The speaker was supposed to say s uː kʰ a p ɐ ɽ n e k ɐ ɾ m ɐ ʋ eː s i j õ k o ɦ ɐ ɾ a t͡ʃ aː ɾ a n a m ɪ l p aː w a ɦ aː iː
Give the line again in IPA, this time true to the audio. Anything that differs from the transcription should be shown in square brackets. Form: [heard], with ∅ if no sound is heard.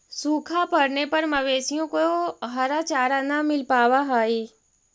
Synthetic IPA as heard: s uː kʰ a p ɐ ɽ n e [p] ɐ ɾ m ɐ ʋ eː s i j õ k o ɦ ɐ ɾ a t͡ʃ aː ɾ a n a m ɪ l p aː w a ɦ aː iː